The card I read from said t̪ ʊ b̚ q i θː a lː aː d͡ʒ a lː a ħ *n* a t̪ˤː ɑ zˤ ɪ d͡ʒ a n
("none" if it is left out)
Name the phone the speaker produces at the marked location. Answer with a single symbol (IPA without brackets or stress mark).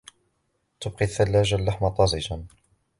m